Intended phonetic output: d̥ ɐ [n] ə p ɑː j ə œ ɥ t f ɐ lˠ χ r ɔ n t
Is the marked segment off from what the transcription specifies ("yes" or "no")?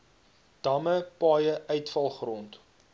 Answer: yes